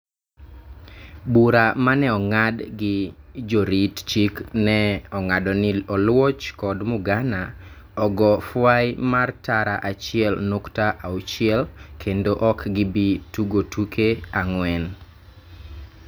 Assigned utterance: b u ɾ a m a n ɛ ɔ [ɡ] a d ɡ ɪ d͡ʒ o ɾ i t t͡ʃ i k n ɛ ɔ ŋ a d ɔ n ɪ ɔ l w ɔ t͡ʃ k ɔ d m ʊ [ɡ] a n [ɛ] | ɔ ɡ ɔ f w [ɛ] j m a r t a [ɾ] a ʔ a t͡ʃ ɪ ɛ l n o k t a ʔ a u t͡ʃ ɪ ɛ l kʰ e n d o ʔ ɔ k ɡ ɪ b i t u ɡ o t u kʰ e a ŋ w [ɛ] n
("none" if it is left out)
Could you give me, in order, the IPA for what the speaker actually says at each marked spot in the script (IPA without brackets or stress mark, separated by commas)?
ŋ, ɡ, a, a, ɾ, ɛ